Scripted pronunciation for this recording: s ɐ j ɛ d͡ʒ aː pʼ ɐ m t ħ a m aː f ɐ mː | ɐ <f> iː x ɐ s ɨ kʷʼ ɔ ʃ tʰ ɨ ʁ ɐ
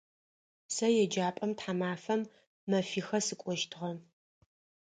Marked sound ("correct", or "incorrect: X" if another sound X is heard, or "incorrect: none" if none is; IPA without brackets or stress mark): correct